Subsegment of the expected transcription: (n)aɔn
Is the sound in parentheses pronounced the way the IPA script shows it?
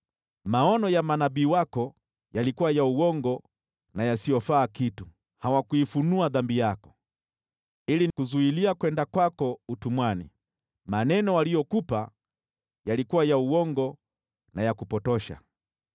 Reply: no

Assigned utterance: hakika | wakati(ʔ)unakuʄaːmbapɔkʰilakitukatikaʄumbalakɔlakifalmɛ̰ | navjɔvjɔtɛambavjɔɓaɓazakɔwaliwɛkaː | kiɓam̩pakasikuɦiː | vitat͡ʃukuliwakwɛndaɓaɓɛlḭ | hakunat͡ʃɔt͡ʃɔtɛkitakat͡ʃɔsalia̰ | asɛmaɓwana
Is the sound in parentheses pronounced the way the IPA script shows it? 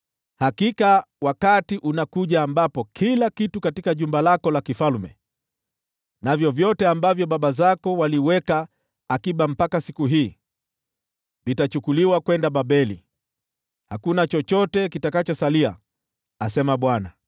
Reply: yes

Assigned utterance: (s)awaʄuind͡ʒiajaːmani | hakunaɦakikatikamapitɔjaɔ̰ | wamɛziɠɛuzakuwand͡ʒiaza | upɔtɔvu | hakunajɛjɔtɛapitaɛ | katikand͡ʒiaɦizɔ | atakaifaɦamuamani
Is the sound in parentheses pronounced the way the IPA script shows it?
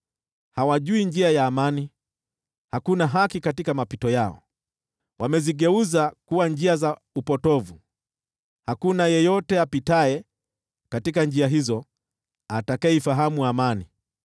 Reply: no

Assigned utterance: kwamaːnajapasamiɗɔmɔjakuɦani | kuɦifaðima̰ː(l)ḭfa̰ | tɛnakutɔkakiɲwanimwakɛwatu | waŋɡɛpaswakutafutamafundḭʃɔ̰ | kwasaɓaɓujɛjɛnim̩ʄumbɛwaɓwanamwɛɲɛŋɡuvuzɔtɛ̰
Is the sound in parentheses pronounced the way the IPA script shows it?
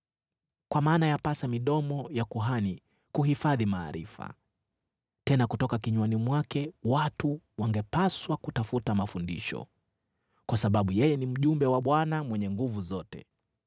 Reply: no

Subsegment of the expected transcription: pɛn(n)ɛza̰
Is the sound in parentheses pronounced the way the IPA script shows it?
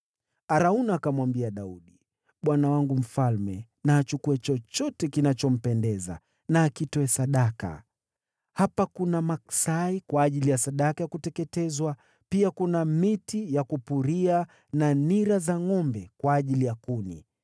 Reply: no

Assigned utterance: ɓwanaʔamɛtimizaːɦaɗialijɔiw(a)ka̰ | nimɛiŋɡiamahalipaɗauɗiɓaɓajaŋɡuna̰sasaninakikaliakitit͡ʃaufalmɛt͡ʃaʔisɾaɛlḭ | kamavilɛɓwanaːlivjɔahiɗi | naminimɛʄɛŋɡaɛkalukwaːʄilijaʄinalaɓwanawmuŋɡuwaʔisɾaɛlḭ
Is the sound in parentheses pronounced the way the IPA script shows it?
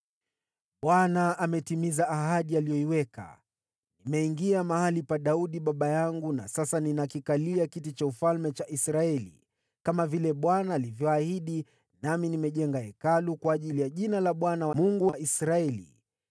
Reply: no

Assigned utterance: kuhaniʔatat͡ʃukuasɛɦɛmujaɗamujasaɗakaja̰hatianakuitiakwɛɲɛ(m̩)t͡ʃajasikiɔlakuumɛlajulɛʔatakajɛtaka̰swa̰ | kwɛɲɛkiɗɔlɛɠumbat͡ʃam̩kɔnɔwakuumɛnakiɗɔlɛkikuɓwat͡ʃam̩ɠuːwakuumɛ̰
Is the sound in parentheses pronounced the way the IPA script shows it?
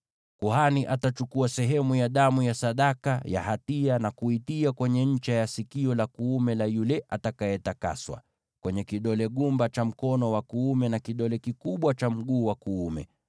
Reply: no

